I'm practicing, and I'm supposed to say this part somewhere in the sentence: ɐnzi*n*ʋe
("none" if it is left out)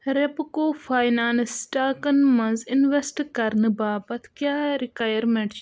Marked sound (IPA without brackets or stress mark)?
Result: n